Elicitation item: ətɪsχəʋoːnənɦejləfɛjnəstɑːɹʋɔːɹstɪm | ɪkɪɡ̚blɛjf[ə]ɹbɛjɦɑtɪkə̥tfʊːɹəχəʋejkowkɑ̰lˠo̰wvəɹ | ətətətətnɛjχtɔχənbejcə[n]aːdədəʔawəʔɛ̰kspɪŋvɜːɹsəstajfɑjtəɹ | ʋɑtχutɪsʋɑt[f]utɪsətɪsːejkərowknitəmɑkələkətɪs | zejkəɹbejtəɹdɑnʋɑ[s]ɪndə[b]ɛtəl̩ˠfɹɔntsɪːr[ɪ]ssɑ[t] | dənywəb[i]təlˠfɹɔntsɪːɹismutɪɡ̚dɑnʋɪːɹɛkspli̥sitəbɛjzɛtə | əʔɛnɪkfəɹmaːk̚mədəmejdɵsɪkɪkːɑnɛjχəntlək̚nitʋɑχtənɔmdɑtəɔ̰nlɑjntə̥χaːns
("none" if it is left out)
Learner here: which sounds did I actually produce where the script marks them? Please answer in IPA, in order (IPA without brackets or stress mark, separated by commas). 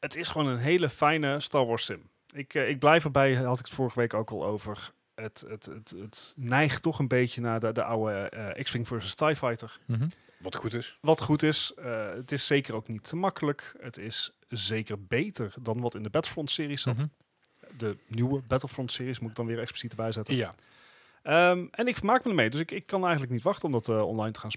ə, n, χ, t, b, i, t, ɛ